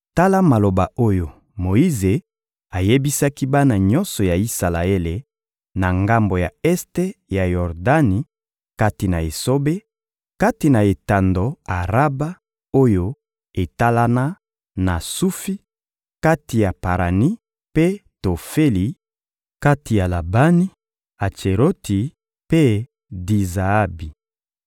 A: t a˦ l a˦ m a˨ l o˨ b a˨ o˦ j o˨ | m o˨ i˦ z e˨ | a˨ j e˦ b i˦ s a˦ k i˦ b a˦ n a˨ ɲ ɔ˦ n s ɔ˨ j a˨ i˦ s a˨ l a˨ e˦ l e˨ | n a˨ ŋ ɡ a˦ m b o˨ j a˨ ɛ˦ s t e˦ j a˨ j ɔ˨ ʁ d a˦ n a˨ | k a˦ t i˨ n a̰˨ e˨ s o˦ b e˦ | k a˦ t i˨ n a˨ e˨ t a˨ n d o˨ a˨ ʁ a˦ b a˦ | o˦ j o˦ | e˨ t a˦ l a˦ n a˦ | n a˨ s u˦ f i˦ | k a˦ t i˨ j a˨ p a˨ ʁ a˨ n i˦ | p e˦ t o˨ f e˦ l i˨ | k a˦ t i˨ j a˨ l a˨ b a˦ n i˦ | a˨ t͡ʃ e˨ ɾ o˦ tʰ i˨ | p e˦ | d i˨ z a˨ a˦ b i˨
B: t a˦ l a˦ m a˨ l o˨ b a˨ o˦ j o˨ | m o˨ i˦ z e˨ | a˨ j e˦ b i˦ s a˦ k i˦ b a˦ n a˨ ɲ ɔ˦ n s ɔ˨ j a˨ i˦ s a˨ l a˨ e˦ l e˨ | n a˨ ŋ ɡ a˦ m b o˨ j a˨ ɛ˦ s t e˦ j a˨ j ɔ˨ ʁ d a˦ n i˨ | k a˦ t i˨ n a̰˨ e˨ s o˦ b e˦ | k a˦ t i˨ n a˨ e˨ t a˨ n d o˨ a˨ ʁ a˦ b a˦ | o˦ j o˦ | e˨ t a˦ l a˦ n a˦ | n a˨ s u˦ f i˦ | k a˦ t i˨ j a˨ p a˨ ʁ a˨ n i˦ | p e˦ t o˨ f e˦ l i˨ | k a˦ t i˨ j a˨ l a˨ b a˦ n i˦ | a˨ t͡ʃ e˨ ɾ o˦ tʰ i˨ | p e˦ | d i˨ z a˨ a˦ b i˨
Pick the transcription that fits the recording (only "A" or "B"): B